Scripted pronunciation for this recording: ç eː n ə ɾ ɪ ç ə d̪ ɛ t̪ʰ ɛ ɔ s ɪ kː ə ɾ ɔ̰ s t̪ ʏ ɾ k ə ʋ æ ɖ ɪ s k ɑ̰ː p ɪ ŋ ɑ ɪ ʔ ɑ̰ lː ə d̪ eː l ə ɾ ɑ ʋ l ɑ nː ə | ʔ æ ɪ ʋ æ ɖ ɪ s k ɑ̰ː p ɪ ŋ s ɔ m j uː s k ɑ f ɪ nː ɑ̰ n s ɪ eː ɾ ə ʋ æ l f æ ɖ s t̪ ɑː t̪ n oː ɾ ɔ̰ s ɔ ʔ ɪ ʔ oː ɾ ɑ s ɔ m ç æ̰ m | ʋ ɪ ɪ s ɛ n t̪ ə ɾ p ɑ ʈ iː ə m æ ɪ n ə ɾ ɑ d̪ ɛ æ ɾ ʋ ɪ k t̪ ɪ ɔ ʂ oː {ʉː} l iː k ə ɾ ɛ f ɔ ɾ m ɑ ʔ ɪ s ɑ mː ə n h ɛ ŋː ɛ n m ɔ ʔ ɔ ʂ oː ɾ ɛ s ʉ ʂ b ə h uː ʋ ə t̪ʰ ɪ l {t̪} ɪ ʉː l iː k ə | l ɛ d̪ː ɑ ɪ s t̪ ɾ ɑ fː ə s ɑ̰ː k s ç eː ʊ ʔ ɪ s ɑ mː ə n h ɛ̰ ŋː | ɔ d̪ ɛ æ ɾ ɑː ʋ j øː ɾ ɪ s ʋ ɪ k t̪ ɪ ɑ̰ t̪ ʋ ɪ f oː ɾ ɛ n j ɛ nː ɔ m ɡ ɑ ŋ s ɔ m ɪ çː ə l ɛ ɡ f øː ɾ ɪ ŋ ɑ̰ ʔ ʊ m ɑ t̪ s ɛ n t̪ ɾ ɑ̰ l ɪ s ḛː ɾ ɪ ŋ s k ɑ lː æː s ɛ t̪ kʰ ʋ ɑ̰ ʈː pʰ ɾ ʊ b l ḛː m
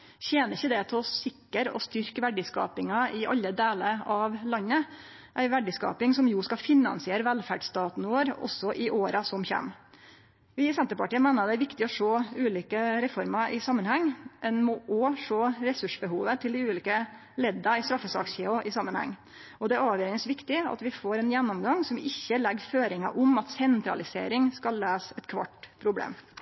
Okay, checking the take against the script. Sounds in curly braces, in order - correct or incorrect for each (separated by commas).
correct, incorrect